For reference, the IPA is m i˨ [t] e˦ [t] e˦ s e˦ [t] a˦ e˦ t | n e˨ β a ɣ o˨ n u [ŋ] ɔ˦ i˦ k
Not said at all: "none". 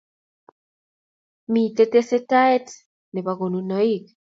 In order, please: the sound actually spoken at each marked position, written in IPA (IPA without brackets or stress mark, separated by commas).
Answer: t, t, t, n